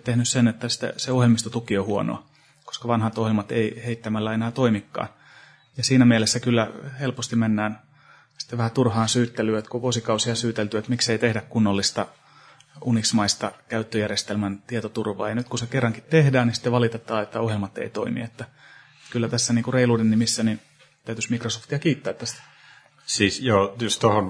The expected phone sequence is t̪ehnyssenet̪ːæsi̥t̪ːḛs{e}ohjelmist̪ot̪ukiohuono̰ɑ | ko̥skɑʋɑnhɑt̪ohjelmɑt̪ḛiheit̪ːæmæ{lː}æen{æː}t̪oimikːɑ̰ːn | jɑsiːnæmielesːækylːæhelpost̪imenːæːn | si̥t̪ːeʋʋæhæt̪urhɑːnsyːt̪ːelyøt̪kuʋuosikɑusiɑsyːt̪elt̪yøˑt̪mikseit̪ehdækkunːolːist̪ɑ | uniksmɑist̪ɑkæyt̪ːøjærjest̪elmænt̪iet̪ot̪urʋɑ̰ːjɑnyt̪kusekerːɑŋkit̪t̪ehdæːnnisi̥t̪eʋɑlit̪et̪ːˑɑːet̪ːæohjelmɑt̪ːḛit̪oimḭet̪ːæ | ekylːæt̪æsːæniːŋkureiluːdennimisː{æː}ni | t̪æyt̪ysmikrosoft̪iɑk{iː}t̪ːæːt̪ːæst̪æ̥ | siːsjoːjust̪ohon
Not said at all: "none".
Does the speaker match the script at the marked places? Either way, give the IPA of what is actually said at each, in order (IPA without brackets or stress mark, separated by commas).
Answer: e, lː, æː, æ, iː